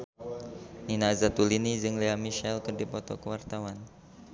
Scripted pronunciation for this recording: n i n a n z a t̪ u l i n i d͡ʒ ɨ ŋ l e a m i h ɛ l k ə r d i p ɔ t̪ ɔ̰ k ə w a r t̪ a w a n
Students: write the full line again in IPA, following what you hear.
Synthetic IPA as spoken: n i n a z a t̪ u l i n i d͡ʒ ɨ ŋ l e a m i ʃ ɛ l k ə r d i p ɔ t̪ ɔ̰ k ə w a r t̪ a w a n

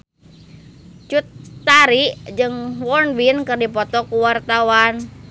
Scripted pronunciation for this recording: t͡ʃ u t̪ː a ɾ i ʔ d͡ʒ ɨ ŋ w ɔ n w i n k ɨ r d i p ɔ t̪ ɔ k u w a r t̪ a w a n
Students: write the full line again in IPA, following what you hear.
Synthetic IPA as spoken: t͡ʃ u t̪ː a ɾ i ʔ d͡ʒ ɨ ŋ w ɔ n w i n k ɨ r d i p ɔ t̪ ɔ k u w a r t̪ a w a n

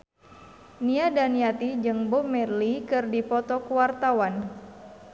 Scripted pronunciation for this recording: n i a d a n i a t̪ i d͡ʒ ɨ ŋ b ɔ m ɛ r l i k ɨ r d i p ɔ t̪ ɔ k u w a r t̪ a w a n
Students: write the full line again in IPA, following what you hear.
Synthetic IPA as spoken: n i a d a n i a t̪ i d͡ʒ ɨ ŋ b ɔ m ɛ r l i k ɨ r d i p ɔ t̪ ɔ k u w a r t̪ a w a n

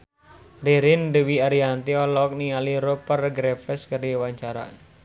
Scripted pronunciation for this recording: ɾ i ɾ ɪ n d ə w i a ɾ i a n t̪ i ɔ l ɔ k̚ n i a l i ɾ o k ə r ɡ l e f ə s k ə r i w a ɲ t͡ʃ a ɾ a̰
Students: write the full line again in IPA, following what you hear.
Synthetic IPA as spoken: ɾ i ɾ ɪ n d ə w i a ɾ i a n t̪ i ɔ l ɔ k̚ n i a l i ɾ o p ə r ɡ ɾ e f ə s k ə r i w a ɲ t͡ʃ a ɾ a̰

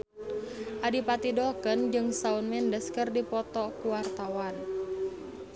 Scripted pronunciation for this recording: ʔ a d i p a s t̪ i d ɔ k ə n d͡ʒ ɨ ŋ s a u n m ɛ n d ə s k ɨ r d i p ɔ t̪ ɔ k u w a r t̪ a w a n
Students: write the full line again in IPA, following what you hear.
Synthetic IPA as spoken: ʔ a d i p a t̪ i d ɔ k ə n d͡ʒ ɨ ŋ s a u n m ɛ n d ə s k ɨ r d i p ɔ t̪ ɔ k u w a r t̪ a w a n

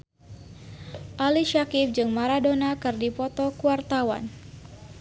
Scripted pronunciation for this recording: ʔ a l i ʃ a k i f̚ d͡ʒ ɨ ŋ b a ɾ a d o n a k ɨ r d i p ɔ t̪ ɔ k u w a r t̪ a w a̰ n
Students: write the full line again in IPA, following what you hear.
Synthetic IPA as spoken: ʔ a l i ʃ a k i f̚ d͡ʒ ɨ ŋ m a ɾ a d o n a k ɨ r d i p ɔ t̪ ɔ k u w a r t̪ a w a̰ n

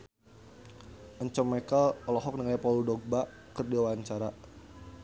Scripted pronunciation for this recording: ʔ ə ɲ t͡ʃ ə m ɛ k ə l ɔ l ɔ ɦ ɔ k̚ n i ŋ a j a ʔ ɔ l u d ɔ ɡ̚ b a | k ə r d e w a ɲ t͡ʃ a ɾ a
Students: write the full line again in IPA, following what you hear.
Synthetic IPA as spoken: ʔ ə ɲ t͡ʃ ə m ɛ k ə l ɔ l ɔ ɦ ɔ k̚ n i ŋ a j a p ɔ l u d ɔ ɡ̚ b a | k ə r d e w a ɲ t͡ʃ a ɾ a

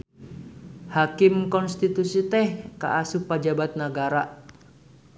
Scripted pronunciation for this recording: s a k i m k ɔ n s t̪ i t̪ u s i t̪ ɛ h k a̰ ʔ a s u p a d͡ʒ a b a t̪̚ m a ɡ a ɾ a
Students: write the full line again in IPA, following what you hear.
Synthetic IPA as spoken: h a k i m k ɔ n s t̪ i t̪ u s i t̪ ɛ h k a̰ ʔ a s u p a d͡ʒ a b a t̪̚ n a ɡ a ɾ a

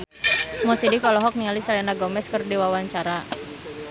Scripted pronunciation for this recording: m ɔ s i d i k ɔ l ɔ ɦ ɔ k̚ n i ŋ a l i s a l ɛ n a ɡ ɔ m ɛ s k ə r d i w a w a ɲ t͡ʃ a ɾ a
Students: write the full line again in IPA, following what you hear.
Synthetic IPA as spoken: m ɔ s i d i k ɔ l ɔ ɦ ɔ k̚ n i ŋ a l i s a l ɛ n a ɡ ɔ m ɛ s k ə r d i w a w a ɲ t͡ʃ a ɾ a

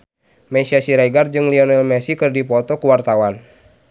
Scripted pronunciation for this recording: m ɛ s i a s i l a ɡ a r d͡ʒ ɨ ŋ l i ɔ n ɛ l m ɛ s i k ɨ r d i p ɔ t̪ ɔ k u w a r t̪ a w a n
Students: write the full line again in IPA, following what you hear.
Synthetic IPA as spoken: m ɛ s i a s i ɾ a ɡ a r d͡ʒ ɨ ŋ l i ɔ n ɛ l m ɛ s i k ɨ r d i p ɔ t̪ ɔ k u w a r t̪ a w a n

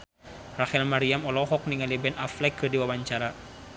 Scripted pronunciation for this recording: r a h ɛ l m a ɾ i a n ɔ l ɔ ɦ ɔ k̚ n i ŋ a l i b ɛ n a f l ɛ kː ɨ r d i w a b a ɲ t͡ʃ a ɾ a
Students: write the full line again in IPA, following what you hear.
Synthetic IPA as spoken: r a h ɛ l m a ɾ i a m ɔ l ɔ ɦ ɔ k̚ n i ŋ a l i b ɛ n a f l ɛ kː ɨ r d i w a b a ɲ t͡ʃ a ɾ a

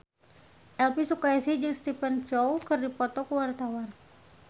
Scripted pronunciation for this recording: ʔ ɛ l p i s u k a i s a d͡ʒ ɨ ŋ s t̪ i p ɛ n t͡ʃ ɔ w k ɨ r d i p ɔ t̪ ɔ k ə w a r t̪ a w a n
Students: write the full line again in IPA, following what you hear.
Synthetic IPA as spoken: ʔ ɛ l p i s u k a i s i d͡ʒ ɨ ŋ s t̪ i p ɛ n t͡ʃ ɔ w k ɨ r d i p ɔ t̪ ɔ k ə w a r t̪ a w a n

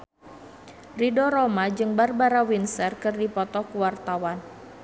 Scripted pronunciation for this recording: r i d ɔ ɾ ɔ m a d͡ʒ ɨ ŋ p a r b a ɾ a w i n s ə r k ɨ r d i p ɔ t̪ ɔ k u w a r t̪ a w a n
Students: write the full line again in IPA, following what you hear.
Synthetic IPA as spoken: r i d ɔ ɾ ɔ m a d͡ʒ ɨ ŋ b a r b a ɾ a w i n s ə r k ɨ r d i p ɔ t̪ ɔ k u w a r t̪ a w a n

